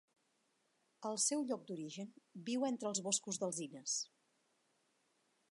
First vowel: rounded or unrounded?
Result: unrounded